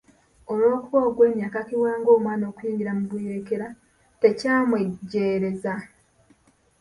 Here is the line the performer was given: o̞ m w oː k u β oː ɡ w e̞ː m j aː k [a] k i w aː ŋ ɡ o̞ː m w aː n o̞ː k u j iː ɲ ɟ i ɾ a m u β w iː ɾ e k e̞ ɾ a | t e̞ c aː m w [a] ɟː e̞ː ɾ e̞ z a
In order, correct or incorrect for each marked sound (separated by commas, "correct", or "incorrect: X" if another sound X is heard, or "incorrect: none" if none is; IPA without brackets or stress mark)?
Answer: correct, incorrect: e